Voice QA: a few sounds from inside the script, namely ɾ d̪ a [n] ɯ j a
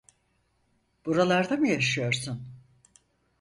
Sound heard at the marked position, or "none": m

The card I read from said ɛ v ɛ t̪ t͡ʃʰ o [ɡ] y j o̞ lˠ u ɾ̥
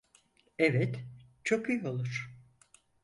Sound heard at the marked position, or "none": k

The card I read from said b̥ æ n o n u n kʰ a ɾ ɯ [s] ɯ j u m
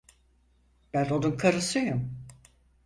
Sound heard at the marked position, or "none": s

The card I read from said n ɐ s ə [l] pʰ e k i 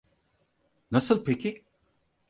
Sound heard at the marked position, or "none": l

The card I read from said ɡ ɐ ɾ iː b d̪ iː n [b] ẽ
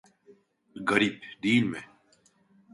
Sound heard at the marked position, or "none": m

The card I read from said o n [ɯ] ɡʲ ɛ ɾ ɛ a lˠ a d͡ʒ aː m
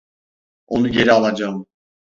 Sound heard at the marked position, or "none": u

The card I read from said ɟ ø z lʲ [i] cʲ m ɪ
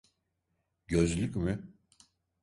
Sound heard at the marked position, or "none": y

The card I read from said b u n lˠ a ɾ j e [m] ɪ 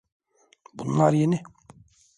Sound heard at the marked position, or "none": n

